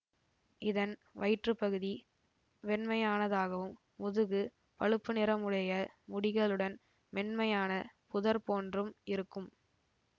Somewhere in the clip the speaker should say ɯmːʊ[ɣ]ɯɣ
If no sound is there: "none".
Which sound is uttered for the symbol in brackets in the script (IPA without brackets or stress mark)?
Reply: ð